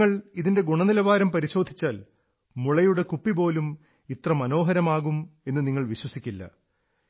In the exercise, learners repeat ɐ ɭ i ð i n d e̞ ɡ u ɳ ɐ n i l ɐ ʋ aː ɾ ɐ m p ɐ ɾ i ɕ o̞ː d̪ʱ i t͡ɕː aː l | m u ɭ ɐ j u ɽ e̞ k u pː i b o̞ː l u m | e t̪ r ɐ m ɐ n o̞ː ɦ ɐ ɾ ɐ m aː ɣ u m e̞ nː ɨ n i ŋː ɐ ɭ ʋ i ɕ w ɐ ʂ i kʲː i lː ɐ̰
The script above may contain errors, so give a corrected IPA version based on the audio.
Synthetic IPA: ɐ ɭ i ð i n d e̞ ɡ u ɳ ɐ n i l ɐ ʋ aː ɾ ɐ m p ɐ ɾ i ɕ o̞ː d̪ʱ i t͡ɕː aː l | m u ɭ ɐ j u ɽ e̞ k u pː i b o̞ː l u m | i t̪ r ɐ m ɐ n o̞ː ɦ ɐ ɾ ɐ m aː ɣ u m e̞ nː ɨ n i ŋː ɐ ɭ ʋ i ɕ w ɐ s i kʲː i lː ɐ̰

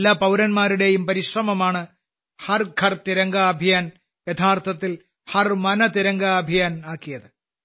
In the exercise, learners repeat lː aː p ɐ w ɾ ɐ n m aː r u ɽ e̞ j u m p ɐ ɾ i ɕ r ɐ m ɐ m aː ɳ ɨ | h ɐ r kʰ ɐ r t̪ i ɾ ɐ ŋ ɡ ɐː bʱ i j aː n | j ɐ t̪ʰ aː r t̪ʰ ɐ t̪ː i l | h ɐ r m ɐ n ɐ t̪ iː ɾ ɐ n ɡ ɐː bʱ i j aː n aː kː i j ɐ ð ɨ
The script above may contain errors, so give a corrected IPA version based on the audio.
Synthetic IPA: lː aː p ɐ w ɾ ɐ n m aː ɾ u ɽ e̞ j u m p ɐ ɾ i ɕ r ɐ m ɐ m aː ɳ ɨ | h ɐ r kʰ ɐ r t̪ i ɾ ɐ ŋ ɡ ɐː bʱ i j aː n | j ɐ t̪ʰ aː r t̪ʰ ɐ t̪ː i l | h ɐ r m ɐ n ɐ t̪ i ɾ ɐ ŋ ɡ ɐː bʱ i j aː n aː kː i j ɐ ð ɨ

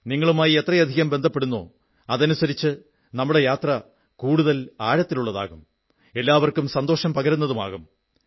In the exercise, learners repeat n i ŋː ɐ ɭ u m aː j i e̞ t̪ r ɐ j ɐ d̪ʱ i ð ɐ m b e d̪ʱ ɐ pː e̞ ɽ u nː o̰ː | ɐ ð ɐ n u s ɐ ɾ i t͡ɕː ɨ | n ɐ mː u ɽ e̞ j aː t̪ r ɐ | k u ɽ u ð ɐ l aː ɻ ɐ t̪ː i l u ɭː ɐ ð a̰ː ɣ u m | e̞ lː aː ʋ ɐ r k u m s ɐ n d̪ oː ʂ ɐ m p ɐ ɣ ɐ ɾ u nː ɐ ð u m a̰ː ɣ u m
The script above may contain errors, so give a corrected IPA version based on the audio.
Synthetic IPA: n i ŋː ɐ ɭ u m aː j i e̞ t̪ r ɐ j ɐ d̪ʱ i ɣ ɐ m b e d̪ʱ ɐ pː e̞ ɽ u nː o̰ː | ɐ ð ɐ n u s ɐ ɾ i t͡ɕː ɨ | n ɐ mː u ɽ e̞ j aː t̪ r ɐ | k uː ɽ u ð ɐ l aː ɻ ɐ t̪ː i l u ɭː ɐ ð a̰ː ɣ u m | e̞ lː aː ʋ ɐ r k u m s ɐ n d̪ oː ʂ ɐ m p ɐ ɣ ɐ ɾ u nː ɐ ð u m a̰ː ɣ u m

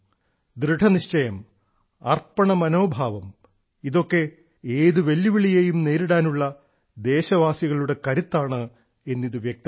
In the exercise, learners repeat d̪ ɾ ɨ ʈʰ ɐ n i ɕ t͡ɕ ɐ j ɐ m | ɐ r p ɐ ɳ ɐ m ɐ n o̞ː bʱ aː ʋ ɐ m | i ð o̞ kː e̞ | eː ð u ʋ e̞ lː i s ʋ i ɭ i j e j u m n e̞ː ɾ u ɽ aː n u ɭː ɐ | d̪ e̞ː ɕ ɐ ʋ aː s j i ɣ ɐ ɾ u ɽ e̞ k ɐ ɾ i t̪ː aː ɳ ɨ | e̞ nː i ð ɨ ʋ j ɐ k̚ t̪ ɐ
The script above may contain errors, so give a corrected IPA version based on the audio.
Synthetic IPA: d̪ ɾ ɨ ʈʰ ɐ n i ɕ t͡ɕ ɐ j ɐ m | ɐ r p ɐ ɳ ɐ m ɐ n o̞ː bʱ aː ʋ ɐ m | i ð o̞ kː e̞ | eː ð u ʋ e̞ lː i ʋ i ɭ i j e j u m n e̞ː ɾ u ɽ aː n u ɭː ɐ | d̪ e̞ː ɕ ɐ ʋ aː s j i ɣ ɐ ɭ u ɽ e̞ k ɐ ɾ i t̪ː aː ɳ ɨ | e̞ nː i ð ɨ ʋ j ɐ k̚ t̪ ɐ

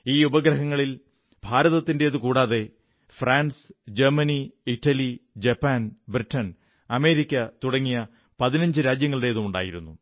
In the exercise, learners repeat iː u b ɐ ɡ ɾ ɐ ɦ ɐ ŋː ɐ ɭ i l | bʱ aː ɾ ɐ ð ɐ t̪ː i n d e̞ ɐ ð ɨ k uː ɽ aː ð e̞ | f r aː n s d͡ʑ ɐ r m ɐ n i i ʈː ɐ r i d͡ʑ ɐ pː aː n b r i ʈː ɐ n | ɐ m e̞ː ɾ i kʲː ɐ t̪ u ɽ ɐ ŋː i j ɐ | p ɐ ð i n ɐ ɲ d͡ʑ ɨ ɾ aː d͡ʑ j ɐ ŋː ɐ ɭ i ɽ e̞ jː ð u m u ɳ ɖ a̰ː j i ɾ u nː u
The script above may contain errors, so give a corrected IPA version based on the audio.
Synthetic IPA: iː u b ɐ ɡ ɾ ɐ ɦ ɐ ŋː ɐ ɭ i l | bʱ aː ɾ ɐ ð ɐ t̪ː i n d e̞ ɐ ð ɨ k uː ɽ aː ð e̞ | f r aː n s d͡ʑ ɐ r m ɐ n i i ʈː ɐ l i d͡ʑ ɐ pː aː n b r i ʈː ɐ n | ɐ m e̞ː ɾ i kʲː ɐ t̪ u ɽ ɐ ŋː i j ɐ | p ɐ ð i n ɐ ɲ d͡ʑ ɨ ɾ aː d͡ʑ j ɐ ŋː ɐ ɭ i ɽ e̞ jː ð u m u ɳ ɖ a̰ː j i ɾ u nː u

